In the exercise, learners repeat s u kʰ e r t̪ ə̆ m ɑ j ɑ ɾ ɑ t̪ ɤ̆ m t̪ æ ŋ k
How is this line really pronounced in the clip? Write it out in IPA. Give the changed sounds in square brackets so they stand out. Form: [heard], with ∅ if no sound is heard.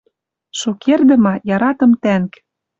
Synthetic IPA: [ʃ] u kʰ e r [d̪] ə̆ m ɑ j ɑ ɾ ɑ t̪ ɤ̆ m t̪ æ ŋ k